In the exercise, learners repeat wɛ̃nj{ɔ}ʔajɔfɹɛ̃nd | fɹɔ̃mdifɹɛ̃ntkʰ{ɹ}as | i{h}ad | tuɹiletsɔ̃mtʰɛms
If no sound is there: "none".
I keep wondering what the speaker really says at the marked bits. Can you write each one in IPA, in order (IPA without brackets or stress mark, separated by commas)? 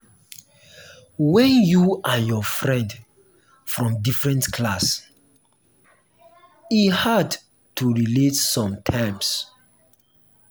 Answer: u, l, h